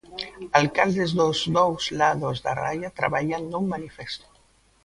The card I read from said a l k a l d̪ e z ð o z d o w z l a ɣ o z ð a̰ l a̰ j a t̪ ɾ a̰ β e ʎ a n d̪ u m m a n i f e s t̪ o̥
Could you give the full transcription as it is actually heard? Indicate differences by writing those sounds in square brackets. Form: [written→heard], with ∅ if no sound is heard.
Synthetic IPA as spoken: a l k a l d̪ e z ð o z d o w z l a [ɣ→ð] o z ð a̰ [l→r] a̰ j a t̪ ɾ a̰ β [e→a] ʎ a n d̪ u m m a n i f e s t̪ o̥